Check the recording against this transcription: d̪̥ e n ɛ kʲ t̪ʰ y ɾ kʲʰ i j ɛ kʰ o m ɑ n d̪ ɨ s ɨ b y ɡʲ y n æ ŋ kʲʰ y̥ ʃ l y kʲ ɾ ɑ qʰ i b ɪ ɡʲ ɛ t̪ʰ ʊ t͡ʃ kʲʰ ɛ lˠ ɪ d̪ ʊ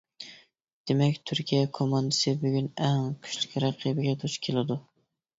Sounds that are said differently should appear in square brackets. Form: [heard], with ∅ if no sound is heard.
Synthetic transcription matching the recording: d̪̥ e [m] ɛ kʲ t̪ʰ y ɾ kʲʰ i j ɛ kʰ o m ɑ n d̪ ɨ s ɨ b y ɡʲ y n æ ŋ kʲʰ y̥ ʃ l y kʲ ɾ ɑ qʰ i b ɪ ɡʲ ɛ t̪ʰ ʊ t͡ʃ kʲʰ [e] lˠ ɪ d̪ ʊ